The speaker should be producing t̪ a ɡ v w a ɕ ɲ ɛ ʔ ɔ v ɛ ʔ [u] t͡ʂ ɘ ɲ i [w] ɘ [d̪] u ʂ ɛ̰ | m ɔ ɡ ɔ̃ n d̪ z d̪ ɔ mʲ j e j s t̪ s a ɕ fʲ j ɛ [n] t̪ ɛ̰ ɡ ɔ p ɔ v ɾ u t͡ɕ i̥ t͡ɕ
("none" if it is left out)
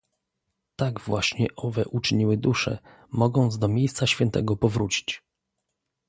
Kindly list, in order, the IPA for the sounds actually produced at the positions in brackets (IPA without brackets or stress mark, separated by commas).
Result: u, w, d̪, n